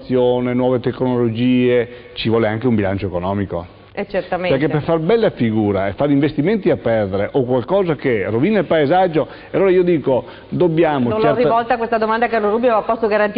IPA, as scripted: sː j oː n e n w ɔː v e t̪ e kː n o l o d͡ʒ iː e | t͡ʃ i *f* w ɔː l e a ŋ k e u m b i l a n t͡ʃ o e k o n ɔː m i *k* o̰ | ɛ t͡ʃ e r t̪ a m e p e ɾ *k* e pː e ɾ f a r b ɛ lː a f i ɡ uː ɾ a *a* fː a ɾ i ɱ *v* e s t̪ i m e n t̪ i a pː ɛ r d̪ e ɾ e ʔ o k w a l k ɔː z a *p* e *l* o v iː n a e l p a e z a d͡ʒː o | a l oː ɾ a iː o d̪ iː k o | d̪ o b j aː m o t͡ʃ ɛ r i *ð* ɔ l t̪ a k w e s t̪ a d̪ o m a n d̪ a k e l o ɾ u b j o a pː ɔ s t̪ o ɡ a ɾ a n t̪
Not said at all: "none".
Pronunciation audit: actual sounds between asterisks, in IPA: v, k, k, e, v, k, r, v

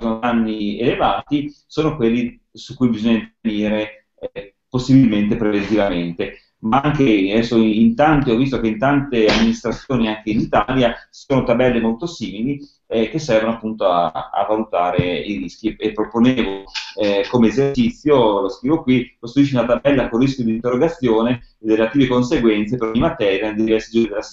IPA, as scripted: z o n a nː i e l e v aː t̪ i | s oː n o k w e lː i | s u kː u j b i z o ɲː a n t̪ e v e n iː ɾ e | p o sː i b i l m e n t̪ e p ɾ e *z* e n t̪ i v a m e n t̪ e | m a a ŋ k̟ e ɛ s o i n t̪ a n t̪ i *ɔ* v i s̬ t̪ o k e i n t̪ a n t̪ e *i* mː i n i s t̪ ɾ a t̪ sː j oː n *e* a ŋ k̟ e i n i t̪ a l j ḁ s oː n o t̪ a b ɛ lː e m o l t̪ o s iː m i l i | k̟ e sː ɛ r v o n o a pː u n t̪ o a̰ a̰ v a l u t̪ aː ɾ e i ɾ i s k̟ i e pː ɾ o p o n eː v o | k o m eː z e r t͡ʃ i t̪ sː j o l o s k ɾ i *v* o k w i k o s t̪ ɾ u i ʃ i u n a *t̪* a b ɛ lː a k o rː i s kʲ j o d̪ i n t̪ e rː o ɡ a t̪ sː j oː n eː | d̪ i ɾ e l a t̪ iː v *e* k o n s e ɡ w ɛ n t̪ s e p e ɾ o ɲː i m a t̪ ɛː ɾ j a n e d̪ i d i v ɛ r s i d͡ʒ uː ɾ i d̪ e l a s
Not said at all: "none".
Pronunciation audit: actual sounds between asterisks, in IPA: v, ɔ, a, i, v, t̪, e

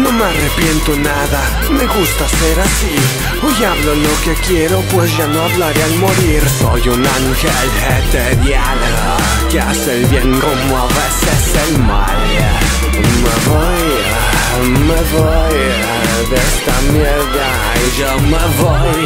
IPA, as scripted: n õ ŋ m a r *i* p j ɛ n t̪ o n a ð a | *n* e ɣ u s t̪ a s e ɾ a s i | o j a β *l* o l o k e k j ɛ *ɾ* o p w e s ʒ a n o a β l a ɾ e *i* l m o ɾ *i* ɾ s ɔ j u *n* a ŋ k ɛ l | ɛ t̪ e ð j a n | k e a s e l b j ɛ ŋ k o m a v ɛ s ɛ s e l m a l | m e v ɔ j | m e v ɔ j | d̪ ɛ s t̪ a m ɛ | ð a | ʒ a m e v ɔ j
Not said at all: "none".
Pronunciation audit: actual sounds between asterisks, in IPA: e, m, l, ɾ, a, i, n

